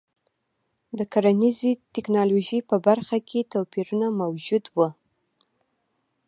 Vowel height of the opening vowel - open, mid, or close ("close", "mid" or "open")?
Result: mid